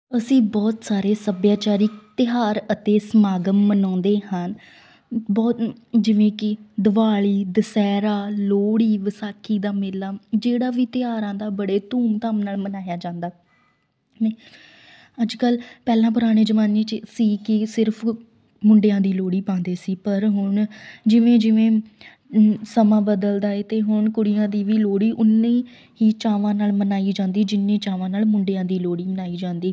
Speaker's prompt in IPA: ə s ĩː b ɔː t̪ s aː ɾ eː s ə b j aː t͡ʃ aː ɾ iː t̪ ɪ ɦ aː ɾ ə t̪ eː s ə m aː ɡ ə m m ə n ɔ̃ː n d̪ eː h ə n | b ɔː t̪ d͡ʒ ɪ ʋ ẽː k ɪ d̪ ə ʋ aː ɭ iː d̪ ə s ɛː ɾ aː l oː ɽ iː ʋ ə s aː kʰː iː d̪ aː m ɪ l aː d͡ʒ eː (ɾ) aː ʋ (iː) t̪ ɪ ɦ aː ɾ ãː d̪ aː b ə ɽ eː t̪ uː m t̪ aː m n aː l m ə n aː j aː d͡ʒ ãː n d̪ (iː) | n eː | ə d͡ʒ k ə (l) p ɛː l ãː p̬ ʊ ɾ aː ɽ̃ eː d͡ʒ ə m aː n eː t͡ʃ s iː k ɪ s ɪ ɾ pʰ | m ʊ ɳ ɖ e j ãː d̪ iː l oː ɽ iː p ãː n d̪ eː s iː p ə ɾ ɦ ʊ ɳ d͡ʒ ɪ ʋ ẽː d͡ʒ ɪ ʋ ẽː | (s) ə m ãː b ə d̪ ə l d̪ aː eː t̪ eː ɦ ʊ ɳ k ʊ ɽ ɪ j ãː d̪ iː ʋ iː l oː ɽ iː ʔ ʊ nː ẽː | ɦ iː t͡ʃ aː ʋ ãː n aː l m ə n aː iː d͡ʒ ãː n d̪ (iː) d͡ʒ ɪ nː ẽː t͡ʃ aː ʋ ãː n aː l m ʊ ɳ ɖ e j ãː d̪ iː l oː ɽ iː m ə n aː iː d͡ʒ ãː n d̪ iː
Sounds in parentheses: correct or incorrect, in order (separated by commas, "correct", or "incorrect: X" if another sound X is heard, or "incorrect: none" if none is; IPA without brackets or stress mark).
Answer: incorrect: ɽ, correct, incorrect: aː, correct, correct, correct